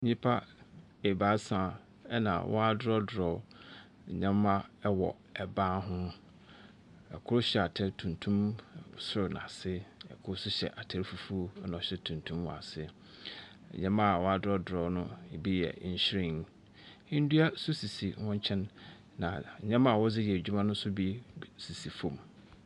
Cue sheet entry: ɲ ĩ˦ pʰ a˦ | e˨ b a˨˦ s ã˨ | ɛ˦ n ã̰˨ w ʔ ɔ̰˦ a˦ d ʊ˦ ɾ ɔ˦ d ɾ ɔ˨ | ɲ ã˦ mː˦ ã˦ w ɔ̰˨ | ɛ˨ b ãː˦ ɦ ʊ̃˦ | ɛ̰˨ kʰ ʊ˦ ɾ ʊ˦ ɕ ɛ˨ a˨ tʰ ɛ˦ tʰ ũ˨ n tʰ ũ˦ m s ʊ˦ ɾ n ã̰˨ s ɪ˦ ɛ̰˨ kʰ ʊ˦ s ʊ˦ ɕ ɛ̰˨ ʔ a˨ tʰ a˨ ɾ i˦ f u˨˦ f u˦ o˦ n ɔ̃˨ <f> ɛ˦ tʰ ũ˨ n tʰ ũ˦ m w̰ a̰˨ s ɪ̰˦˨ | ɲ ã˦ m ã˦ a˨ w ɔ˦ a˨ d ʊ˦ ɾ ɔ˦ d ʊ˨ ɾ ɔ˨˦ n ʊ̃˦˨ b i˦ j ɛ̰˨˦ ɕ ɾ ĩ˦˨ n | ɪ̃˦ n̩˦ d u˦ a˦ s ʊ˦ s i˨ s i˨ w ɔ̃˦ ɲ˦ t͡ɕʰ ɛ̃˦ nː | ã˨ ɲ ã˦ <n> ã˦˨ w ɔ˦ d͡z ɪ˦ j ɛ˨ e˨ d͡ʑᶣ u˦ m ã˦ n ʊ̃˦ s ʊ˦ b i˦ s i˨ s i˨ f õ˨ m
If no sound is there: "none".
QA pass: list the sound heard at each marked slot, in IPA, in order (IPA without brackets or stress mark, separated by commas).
ɕ, m